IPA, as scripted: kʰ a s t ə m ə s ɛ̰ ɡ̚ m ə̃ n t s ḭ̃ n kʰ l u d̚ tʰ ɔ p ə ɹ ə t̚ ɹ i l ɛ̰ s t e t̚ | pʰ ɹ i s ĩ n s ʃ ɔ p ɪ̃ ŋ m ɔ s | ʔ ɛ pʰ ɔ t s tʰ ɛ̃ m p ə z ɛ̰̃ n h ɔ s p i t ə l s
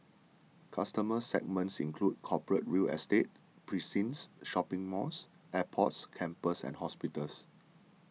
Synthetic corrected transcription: kʰ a s t ə m ə s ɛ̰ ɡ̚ m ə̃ n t s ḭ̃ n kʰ l u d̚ kʰ ɔ p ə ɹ ə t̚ ɹ i l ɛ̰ s t e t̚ | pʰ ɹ i s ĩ n s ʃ ɔ p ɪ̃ ŋ m ɔ s | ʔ ɛ pʰ ɔ t s kʰ ɛ̃ m p ə s ɛ̰̃ n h ɔ s p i t ə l s